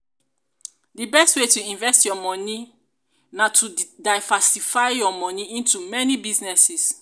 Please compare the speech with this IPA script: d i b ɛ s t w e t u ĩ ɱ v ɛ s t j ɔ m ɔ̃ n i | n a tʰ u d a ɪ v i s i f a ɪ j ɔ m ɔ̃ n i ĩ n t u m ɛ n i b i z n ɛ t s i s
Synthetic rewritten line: d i b ɛ s t w e t u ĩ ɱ v ɛ s t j ɔ m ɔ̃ n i | n a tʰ u d a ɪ v a s i f a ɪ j ɔ m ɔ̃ n i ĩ n t u m ɛ n i b i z n ɛ s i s